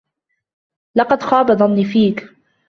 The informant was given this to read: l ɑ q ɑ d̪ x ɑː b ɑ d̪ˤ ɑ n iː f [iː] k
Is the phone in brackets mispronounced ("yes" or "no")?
no